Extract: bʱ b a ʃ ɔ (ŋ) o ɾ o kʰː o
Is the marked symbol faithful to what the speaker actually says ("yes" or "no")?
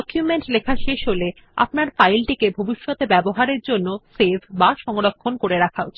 yes